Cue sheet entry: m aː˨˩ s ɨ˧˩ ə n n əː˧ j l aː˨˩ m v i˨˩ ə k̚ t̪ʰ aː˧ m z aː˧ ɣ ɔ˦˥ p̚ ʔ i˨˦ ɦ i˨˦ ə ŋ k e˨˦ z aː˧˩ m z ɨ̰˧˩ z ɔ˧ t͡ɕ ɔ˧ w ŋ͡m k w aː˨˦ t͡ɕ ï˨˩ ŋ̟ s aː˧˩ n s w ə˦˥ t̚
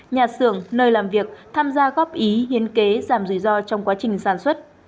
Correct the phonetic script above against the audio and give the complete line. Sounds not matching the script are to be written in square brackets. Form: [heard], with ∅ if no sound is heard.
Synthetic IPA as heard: [ɲ] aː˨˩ s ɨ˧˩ ə [ŋ] n əː˧ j l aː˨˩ m v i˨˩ ə k̚ t̪ʰ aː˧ m z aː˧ ɣ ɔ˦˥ p̚ ʔ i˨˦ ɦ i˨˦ ə [n] k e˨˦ z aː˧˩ m z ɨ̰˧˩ z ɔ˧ t͡ɕ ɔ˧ w ŋ͡m k w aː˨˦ t͡ɕ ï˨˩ ŋ̟ s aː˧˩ n s w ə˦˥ t̚